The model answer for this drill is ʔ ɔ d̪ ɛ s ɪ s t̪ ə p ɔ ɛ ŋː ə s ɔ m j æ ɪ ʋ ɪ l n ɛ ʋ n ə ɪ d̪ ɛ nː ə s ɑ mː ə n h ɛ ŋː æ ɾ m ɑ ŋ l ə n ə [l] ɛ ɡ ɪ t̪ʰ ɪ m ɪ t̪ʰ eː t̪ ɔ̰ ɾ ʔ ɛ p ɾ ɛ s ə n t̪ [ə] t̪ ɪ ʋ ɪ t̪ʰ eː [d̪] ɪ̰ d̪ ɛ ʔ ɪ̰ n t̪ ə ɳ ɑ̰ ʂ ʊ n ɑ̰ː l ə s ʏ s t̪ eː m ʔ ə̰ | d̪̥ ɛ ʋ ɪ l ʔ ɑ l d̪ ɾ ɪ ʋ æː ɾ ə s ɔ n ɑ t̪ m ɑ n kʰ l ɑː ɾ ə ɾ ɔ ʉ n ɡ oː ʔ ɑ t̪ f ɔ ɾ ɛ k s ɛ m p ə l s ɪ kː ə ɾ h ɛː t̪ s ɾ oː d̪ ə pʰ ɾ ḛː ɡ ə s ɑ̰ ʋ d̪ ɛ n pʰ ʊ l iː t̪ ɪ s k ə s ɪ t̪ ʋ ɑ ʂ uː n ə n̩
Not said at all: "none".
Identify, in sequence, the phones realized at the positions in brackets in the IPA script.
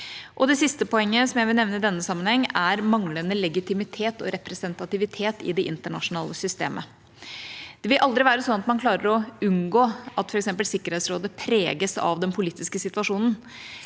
l, ɑ, t̪

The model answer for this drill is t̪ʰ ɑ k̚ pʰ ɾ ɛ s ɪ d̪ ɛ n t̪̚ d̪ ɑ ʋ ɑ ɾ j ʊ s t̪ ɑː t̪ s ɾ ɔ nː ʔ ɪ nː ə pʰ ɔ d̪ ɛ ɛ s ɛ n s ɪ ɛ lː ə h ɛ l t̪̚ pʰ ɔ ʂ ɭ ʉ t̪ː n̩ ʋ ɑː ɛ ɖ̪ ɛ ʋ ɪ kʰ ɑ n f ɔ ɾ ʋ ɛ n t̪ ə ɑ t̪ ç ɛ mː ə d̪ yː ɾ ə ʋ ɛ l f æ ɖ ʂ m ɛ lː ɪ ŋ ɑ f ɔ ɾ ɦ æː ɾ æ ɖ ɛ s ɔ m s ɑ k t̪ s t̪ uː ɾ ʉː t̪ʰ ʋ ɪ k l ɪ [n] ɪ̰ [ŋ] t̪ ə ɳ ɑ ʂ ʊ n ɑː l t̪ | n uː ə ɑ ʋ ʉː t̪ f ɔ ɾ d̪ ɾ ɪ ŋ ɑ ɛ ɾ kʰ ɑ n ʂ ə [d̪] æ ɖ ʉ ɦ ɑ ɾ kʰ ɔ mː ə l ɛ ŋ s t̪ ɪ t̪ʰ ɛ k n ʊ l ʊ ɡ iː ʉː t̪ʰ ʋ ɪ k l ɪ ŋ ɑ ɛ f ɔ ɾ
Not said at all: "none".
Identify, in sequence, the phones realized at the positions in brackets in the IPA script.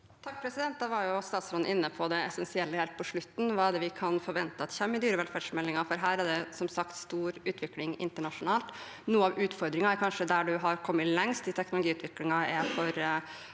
ŋ, n, d̪

